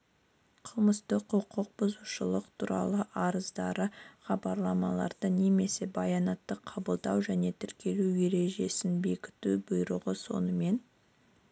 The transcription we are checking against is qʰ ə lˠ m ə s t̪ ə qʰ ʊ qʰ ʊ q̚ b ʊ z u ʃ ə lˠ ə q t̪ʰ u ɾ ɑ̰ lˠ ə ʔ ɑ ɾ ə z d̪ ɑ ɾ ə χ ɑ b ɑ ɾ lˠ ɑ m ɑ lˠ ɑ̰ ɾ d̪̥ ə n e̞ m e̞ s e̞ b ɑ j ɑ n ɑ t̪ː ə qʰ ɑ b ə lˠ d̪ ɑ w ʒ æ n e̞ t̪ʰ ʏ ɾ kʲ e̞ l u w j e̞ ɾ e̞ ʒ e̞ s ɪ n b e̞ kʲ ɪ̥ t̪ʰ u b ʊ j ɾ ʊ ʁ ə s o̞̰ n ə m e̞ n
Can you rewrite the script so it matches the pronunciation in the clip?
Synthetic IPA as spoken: qʰ ə lˠ m ə s t̪ ə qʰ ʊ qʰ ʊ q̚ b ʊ z u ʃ ə lˠ ə q t̪ʰ u ɾ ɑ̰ lˠ ə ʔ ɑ ɾ ə z d̪ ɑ ɾ ə χ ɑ b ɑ ɾ lˠ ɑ m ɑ lˠ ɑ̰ ɾ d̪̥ ə n e̞ m e̞ s e̞ b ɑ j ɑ n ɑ t̪ː ə qʰ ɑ b ə lˠ d̪ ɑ w ʒ æ n e̞ t̪ʰ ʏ ɾ kʲ e̞ l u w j e̞ ɾ e̞ ʒ e̞ s ɪ n b e̞ kʲ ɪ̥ t̪ u b ʊ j ɾ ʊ ʁ ə s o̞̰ n ə m e̞ n